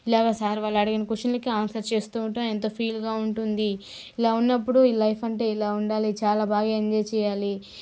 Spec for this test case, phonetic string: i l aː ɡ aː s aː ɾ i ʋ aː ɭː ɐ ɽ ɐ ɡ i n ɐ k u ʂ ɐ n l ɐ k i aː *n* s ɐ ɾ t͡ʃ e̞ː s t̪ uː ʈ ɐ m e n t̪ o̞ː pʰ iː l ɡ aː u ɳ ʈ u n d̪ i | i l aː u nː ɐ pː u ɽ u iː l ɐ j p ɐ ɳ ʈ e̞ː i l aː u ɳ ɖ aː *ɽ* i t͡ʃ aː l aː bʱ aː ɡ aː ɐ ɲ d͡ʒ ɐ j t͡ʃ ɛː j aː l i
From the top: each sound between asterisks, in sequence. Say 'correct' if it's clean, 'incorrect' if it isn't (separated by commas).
correct, incorrect